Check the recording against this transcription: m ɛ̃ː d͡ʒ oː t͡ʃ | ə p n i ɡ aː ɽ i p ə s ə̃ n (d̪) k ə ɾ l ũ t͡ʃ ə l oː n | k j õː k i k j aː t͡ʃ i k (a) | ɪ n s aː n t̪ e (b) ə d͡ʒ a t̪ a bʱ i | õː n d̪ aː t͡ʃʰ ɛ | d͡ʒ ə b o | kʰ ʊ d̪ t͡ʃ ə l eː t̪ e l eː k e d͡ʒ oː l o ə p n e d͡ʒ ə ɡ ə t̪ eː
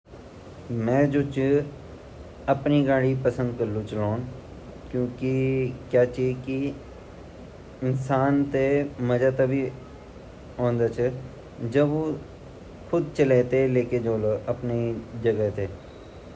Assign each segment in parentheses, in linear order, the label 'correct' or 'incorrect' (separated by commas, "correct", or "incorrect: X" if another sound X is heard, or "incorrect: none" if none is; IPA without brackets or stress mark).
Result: correct, incorrect: i, incorrect: m